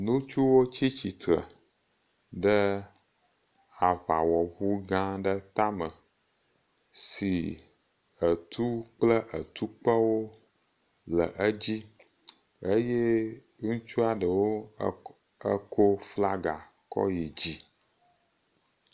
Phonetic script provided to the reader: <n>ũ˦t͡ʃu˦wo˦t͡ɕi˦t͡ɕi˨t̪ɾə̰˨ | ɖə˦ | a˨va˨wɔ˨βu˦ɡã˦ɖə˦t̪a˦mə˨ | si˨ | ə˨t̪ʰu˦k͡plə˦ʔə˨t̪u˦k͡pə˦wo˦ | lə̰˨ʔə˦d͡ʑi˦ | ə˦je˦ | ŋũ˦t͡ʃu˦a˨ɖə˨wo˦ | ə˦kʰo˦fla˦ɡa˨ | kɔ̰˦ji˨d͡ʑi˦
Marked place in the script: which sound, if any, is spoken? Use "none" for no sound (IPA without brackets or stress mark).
n